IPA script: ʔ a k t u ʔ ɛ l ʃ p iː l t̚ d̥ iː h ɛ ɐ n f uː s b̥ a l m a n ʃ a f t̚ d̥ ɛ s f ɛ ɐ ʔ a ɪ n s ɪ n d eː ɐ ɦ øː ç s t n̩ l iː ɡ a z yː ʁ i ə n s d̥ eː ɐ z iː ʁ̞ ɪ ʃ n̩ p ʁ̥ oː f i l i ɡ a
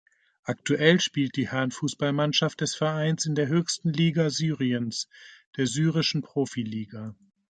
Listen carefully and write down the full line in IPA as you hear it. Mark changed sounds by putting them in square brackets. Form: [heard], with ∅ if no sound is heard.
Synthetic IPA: ʔ a k t u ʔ ɛ l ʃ p iː l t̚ d̥ iː h ɛ ɐ n f uː s b̥ a l m a n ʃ a f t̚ d̥ ɛ s f ɛ ɐ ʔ a ɪ n s ɪ n d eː ɐ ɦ øː ç s t n̩ l iː ɡ a z yː ʁ i ə n s d̥ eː ɐ z [yː] ʁ̞ ɪ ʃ n̩ p ʁ̥ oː f i l [iː] ɡ a